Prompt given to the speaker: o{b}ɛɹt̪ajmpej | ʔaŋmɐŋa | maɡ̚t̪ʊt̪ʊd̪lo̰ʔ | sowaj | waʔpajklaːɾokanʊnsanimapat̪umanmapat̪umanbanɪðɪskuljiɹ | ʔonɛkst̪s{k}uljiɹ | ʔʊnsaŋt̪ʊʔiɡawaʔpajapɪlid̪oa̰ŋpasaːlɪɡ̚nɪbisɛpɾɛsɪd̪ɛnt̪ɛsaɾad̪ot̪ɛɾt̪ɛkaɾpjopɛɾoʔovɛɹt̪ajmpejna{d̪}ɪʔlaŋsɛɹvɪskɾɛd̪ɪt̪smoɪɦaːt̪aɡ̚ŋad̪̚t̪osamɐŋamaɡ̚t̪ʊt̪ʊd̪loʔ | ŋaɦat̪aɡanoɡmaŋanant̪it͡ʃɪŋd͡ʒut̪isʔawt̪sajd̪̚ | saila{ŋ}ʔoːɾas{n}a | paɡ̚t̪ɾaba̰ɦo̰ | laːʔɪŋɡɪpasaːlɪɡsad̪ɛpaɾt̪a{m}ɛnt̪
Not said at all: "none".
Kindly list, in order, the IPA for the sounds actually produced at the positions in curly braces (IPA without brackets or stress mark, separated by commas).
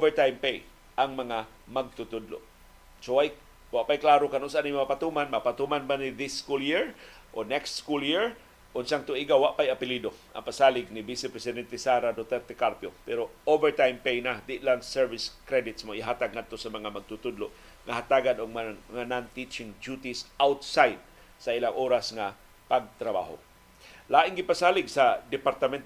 v, k, d̪, ŋ, ŋ, m